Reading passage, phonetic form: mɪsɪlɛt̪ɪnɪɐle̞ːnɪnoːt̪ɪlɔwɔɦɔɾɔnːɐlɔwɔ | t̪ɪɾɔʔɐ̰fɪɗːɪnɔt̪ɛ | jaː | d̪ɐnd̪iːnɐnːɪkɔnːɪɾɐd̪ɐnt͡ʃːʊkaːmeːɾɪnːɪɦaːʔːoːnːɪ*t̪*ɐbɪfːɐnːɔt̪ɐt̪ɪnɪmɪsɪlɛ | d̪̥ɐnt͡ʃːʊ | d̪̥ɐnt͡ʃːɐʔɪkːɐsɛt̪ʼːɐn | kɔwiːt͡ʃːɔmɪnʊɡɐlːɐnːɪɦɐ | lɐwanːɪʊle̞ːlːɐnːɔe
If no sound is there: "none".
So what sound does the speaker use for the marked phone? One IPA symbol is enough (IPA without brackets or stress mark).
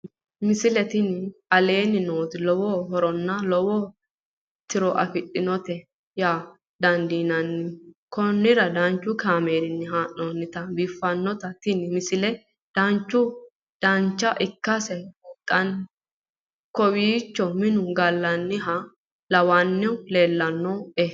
t̪